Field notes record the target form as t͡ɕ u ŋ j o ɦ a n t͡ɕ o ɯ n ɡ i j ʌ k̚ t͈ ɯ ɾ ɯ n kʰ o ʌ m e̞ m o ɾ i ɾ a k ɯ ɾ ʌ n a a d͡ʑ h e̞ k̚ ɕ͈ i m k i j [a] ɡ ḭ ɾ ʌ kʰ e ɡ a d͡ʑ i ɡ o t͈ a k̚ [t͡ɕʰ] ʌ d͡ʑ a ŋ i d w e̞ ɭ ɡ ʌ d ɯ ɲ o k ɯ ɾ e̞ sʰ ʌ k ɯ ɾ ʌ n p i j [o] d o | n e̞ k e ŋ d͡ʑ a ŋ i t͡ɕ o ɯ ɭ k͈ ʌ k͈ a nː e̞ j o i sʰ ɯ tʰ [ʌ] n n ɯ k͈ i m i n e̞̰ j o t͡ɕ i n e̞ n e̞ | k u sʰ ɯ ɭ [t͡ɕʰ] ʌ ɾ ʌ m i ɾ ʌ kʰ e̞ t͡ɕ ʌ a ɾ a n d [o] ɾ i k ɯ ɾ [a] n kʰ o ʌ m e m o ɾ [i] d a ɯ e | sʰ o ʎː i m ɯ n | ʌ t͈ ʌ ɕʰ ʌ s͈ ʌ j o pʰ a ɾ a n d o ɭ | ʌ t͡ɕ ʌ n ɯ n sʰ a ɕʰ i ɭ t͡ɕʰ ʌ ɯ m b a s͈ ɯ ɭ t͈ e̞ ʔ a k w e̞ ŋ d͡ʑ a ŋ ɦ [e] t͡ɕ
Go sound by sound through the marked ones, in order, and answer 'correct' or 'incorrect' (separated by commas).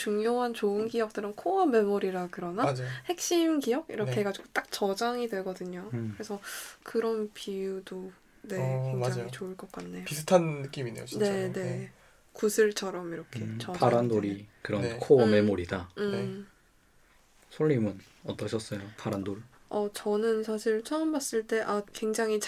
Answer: incorrect, incorrect, incorrect, incorrect, correct, correct, incorrect, correct, incorrect